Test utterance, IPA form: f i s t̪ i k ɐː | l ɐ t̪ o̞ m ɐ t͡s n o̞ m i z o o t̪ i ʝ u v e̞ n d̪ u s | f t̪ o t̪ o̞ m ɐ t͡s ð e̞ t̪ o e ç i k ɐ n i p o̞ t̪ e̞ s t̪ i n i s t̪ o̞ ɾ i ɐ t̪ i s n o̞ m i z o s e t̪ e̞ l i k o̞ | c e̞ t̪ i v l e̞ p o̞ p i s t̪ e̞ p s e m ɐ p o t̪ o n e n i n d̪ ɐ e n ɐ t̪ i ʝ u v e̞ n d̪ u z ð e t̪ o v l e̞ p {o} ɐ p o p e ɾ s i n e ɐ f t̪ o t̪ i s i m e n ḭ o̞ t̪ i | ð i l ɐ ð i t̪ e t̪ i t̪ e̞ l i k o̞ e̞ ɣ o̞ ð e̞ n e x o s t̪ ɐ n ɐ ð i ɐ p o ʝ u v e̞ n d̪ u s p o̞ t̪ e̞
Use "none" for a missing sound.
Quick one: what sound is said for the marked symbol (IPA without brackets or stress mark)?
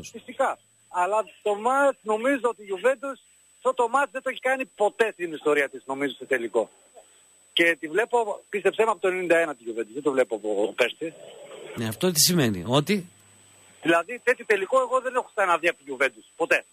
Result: o